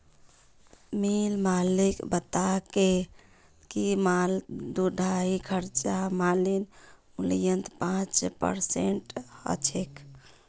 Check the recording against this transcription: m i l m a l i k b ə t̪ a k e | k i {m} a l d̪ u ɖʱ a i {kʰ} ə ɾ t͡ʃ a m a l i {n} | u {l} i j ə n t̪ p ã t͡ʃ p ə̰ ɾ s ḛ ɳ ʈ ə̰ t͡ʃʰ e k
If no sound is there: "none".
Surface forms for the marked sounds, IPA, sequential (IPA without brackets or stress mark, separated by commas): m, kʰ, n, l